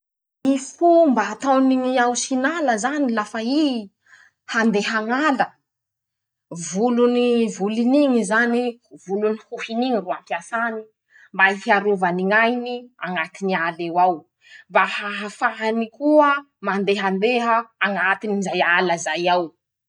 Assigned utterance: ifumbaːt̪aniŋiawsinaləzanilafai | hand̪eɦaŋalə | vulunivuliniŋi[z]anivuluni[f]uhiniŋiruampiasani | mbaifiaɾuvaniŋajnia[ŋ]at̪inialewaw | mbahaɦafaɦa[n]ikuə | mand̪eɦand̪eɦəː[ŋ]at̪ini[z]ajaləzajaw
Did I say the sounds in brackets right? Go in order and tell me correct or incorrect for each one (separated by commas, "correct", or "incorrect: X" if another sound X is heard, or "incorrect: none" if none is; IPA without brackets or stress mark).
correct, incorrect: h, correct, correct, correct, correct